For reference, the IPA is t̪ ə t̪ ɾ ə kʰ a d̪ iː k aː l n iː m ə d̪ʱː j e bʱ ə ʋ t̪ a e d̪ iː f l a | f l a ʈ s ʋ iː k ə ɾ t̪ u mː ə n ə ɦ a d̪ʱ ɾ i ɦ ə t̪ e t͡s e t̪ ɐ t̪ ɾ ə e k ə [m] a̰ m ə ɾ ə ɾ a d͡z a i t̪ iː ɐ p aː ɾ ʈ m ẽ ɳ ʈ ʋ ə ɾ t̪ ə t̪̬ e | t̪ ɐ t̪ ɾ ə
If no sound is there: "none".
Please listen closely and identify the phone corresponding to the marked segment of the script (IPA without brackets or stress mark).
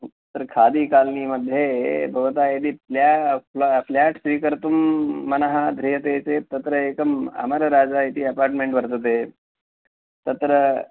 m